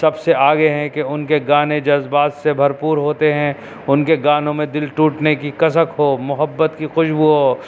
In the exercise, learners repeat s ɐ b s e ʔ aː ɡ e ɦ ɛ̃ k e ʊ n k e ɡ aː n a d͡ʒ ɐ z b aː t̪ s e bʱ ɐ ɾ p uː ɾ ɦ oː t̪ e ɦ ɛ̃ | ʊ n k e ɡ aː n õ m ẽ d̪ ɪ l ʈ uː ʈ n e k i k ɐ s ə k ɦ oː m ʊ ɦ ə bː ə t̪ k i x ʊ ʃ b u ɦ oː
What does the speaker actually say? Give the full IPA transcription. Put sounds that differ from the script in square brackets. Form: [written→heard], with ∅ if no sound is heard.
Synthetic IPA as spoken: s ɐ b s e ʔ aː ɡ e ɦ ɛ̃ k e ʊ n k e ɡ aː n [a→e] d͡ʒ ɐ z b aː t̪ s e bʱ ɐ ɾ p uː ɾ ɦ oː t̪ e ɦ ɛ̃ | ʊ n k e ɡ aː n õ m ẽ d̪ ɪ l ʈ uː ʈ n e k i k ɐ s ə k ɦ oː m ʊ ɦ ə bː ə t̪ k i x ʊ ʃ b u ɦ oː